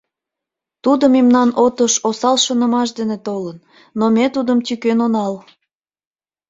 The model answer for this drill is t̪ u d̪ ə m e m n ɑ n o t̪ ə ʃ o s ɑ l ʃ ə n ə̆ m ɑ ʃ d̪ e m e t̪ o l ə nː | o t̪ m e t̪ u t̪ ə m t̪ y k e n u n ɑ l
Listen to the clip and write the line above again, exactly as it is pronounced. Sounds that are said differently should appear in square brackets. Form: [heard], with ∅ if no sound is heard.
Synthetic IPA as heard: t̪ u d̪ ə m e m n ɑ n o t̪ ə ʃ o s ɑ l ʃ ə n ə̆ m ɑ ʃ d̪ e [n] e t̪ o l ə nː | o [∅] m e t̪ u [d̪] ə m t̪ y k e n [o] n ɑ l